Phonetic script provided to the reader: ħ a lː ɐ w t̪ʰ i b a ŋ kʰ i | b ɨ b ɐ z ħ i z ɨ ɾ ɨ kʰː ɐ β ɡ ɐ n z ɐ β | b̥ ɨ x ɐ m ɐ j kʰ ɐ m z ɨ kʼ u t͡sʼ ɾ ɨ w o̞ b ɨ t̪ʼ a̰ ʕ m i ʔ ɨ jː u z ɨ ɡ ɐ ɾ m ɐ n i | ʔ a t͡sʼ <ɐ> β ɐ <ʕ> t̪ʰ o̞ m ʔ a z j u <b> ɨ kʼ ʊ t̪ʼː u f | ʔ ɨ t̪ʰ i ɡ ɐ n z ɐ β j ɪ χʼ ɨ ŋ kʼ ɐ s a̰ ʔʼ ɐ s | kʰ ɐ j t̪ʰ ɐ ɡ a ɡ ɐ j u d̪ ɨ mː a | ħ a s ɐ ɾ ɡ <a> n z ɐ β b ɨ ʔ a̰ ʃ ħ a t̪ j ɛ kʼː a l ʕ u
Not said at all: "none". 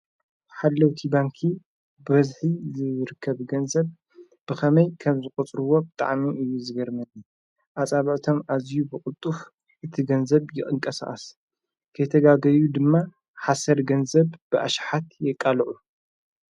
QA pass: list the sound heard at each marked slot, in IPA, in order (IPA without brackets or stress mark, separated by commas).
a, ʕ, b, ɐ